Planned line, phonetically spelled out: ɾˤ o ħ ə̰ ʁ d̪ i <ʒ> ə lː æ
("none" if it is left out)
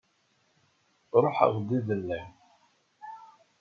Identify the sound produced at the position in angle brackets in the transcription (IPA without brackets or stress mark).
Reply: ð